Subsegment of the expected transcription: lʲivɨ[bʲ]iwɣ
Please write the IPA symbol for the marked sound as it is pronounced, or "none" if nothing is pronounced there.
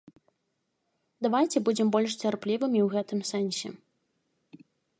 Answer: mʲ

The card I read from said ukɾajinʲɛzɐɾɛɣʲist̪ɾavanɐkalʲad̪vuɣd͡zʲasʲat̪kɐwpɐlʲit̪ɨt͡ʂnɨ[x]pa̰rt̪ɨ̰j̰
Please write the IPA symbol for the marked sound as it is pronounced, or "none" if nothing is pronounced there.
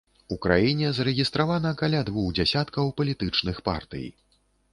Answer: x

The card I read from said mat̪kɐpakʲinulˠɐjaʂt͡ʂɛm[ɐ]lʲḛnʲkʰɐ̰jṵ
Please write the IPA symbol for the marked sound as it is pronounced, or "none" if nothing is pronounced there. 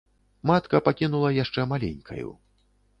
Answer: a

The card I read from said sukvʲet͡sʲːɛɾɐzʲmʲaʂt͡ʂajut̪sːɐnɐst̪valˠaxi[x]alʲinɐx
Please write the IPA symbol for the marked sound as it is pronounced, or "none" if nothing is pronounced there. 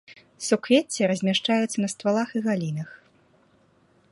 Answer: ɣ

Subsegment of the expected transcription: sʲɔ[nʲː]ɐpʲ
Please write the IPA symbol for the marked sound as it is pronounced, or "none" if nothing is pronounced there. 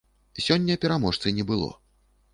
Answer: nʲː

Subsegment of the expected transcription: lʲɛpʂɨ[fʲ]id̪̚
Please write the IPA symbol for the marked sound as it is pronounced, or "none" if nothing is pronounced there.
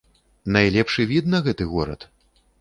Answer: vʲ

